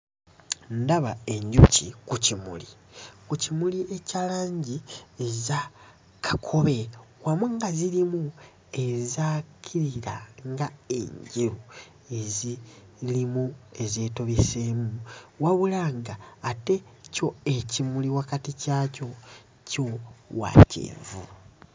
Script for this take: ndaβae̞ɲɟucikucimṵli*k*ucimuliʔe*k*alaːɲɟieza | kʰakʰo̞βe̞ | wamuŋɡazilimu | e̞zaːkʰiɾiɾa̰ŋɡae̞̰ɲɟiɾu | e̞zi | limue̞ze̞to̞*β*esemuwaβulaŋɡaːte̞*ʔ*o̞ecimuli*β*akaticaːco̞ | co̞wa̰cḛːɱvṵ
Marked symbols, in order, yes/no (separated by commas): yes, no, yes, no, no